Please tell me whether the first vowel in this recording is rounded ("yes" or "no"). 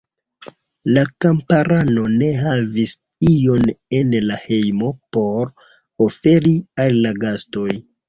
no